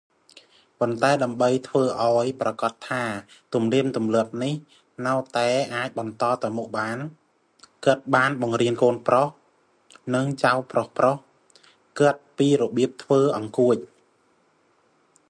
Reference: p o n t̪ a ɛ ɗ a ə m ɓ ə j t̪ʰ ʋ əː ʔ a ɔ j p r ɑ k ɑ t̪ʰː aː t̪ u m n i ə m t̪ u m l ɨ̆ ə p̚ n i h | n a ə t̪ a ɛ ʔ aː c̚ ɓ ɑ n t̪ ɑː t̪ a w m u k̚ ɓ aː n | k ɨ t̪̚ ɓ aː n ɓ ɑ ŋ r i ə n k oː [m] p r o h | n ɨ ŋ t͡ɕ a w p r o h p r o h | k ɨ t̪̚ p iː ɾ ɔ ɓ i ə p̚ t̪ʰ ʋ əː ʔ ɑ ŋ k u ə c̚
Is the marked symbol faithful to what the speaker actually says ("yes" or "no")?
no